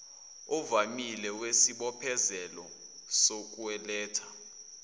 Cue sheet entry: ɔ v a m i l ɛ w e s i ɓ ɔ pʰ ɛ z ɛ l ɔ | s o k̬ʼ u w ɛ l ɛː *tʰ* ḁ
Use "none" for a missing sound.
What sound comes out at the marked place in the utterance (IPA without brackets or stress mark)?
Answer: tʰ